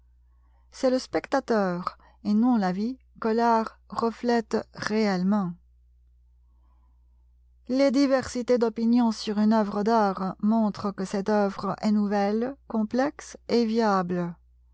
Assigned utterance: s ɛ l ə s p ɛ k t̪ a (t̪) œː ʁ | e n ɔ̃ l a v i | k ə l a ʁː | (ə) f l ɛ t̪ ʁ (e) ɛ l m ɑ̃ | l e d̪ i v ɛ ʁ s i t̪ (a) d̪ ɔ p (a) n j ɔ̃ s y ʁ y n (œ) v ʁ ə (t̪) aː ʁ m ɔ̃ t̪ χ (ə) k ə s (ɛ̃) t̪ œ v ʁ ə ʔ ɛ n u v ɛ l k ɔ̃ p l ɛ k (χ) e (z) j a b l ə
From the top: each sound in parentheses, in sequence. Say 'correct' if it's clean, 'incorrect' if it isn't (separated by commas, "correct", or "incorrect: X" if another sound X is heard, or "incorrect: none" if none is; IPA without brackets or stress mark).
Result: correct, correct, correct, incorrect: e, incorrect: i, correct, incorrect: d̪, correct, incorrect: ɛ, incorrect: s, incorrect: v